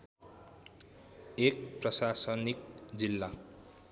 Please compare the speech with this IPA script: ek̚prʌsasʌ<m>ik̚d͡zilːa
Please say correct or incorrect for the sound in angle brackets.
incorrect